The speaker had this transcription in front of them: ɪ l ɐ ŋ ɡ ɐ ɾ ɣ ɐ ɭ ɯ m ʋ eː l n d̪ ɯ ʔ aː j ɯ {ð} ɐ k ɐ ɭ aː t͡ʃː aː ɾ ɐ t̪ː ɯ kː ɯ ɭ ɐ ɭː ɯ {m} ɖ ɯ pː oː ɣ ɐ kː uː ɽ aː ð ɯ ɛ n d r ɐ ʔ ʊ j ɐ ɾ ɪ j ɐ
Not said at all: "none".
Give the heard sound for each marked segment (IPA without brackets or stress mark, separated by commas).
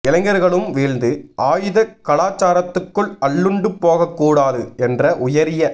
ð, ɳ